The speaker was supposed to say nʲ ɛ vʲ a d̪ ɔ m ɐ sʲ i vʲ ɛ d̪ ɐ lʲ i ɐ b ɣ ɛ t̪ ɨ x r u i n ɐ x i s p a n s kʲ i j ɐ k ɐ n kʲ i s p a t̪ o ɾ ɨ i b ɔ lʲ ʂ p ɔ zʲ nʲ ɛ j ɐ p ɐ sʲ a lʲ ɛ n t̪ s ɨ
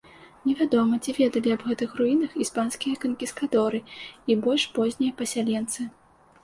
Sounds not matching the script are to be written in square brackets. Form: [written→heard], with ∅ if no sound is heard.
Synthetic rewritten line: nʲ ɛ vʲ a d̪ ɔ m ɐ [sʲ→t͡sʲ] i vʲ ɛ d̪ ɐ lʲ i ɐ b ɣ ɛ t̪ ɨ x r u i n ɐ x i s p a n s kʲ i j ɐ k ɐ n kʲ i s [p→k] a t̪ [o→ɔ] ɾ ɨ i b ɔ lʲ ʂ p ɔ zʲ nʲ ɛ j ɐ p ɐ sʲ a lʲ ɛ n t̪ s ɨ

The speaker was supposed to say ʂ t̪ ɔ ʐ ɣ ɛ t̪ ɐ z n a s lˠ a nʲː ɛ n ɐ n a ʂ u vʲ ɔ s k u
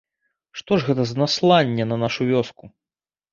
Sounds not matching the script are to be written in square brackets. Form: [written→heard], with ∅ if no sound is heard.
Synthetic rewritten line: ʂ t̪ ɔ ʐ ɣ ɛ t̪ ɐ z n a s lˠ a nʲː ɛ n ɐ n a ʂ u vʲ ɔ s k u

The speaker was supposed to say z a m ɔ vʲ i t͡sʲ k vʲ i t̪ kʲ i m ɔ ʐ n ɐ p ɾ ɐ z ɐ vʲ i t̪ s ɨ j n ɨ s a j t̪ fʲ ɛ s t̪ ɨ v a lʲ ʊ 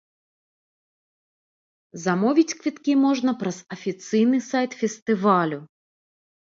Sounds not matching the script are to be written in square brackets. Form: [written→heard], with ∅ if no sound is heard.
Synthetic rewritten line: z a m ɔ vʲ i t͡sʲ k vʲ i t̪ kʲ i m ɔ ʐ n ɐ p ɾ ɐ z ɐ [vʲ→fʲ] i t̪ s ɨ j n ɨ s a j t̪ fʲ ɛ s t̪ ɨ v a lʲ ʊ

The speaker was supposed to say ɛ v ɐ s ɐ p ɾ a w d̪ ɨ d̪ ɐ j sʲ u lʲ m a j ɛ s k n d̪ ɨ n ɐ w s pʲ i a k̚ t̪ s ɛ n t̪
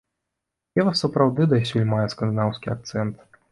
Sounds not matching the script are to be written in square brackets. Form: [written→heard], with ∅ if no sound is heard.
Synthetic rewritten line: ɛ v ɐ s ɐ p ɾ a w d̪ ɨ d̪ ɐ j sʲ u lʲ m a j ɛ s k n d̪ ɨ n [ɐ→a] w s [pʲ→kʲ] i a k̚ t̪ s ɛ n t̪

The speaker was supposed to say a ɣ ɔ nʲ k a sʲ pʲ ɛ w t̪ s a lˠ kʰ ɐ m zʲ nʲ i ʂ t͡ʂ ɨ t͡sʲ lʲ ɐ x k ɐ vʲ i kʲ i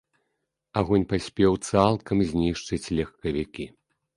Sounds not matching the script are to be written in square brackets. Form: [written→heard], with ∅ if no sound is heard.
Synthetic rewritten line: a ɣ ɔ nʲ [k→p] a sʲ pʲ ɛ w t̪ s a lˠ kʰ ɐ m zʲ nʲ i ʂ t͡ʂ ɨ t͡sʲ lʲ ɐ x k ɐ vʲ i kʲ i

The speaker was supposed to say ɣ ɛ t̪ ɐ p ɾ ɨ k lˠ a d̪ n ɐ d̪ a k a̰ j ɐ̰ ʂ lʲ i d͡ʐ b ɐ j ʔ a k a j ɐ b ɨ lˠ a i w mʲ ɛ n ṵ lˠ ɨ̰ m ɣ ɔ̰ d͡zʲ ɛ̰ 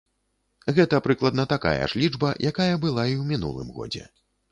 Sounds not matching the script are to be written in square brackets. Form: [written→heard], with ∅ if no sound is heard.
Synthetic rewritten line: ɣ ɛ t̪ ɐ p ɾ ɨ k lˠ [a→ɐ] d̪ n ɐ [d̪→t̪] a k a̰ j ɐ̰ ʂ lʲ i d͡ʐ b ɐ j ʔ a k a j ɐ b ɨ lˠ a i w mʲ [ɛ→i] n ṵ lˠ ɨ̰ m ɣ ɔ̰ d͡zʲ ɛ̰

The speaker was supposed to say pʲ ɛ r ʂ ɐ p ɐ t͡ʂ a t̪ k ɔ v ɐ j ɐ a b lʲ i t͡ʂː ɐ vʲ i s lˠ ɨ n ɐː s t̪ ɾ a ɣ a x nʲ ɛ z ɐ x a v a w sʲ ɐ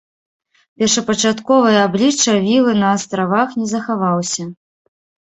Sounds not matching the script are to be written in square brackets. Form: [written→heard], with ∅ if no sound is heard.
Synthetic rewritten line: pʲ ɛ r ʂ ɐ p ɐ t͡ʂ a t̪ k ɔ v ɐ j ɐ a b lʲ i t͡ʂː ɐ vʲ i [s→∅] lˠ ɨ n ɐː s t̪ ɾ a [ɣ→v] a x nʲ ɛ z ɐ x a v a w sʲ ɐ

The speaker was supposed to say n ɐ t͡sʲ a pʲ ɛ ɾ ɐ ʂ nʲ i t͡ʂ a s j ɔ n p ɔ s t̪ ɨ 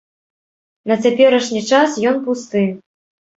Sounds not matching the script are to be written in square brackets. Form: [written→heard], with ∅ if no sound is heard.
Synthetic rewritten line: n ɐ t͡sʲ a pʲ ɛ ɾ ɐ ʂ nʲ i t͡ʂ a s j ɔ n p [ɔ→u] s t̪ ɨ

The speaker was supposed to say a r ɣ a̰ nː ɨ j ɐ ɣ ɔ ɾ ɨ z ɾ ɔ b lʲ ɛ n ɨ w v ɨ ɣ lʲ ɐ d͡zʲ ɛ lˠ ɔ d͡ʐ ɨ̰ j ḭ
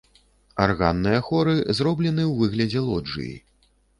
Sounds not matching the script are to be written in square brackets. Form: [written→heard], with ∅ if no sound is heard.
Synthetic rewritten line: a r ɣ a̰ nː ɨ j ɐ [ɣ→x] ɔ ɾ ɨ z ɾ ɔ b lʲ ɛ n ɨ w v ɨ ɣ lʲ ɐ d͡zʲ ɛ lˠ ɔ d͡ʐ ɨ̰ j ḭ

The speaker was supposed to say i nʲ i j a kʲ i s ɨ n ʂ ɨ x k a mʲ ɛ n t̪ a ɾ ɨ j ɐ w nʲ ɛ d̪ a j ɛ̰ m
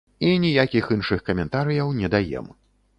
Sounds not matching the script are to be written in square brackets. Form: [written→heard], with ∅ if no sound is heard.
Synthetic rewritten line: i nʲ i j a kʲ i [s→x] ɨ n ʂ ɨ x k [a→ɐ] mʲ ɛ n t̪ a ɾ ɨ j ɐ w nʲ ɛ d̪ a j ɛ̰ m

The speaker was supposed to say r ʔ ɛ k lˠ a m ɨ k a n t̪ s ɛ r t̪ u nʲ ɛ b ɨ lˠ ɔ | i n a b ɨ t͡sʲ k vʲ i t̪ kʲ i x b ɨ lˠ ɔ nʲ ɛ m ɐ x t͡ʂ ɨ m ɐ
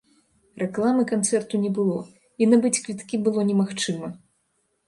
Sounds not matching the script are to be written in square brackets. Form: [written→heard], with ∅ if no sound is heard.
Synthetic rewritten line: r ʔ ɛ k lˠ a m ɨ k a n t̪ s ɛ r t̪ u nʲ ɛ b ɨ lˠ ɔ | i n a b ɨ t͡sʲ k vʲ i t̪ kʲ i [x→∅] b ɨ lˠ ɔ nʲ ɛ m [ɐ→a] x t͡ʂ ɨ m ɐ

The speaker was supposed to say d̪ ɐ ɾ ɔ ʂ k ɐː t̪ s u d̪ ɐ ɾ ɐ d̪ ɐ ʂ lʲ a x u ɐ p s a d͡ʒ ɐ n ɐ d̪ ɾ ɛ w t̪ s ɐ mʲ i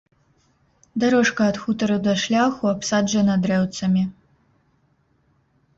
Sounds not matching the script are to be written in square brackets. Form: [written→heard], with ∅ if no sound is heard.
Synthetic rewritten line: d̪ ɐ ɾ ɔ ʂ k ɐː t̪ [s→x] u [d̪→t̪] ɐ ɾ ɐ d̪ ɐ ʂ lʲ a x u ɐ p s a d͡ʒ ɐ n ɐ d̪ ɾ ɛ w t̪ s ɐ mʲ i

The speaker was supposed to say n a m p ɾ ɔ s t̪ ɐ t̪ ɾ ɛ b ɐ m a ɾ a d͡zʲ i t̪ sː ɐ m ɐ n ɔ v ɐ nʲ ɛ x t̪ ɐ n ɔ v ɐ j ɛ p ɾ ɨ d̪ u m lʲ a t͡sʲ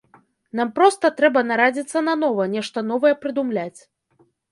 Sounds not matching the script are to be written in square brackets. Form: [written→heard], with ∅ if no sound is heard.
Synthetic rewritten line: n a m p ɾ ɔ s t̪ ɐ t̪ ɾ ɛ b ɐ [m→n] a ɾ a d͡zʲ i t̪ sː ɐ [m→n] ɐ n ɔ v ɐ nʲ ɛ [x→ʂ] t̪ ɐ n ɔ v ɐ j ɛ p ɾ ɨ d̪ u m lʲ a t͡sʲ

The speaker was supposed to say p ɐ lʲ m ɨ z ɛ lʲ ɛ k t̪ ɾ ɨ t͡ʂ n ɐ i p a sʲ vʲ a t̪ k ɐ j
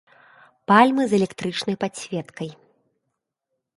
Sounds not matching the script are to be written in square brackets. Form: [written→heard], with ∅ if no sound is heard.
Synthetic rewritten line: p [ɐ→a] lʲ m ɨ z ɛ lʲ ɛ k t̪ ɾ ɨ t͡ʂ n ɐ [i→j] p a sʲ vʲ [a→ɛ] t̪ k ɐ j

